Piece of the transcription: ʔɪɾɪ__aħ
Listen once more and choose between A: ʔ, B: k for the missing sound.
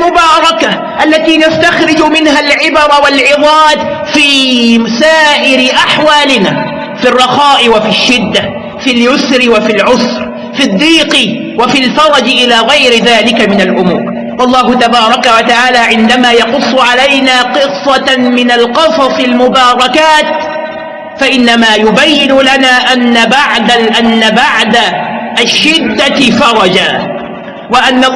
A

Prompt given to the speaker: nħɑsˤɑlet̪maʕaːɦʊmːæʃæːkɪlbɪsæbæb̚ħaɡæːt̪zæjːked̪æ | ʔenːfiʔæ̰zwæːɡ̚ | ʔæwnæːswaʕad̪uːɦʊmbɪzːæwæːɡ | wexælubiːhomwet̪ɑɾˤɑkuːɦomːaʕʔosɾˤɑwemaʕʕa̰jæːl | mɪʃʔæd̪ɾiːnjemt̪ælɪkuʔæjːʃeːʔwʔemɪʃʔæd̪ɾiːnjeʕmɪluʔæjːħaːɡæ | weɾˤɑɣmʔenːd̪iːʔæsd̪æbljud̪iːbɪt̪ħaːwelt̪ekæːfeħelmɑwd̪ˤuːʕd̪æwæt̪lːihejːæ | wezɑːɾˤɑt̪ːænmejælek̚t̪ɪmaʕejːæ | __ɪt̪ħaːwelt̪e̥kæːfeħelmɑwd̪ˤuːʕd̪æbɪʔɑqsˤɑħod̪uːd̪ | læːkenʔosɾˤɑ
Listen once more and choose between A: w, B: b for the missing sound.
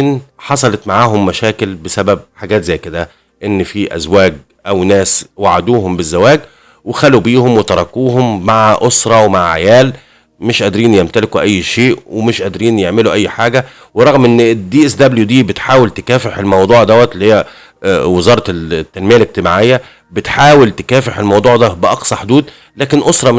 B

